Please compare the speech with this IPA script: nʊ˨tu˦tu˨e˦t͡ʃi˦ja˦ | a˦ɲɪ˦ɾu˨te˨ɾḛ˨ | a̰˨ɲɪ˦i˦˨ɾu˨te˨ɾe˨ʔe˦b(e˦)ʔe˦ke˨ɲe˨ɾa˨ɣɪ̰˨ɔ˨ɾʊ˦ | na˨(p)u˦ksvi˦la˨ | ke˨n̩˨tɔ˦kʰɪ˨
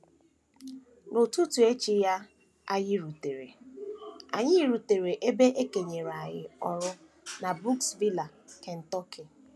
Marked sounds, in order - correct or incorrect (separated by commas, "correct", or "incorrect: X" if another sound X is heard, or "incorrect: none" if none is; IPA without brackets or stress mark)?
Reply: correct, incorrect: b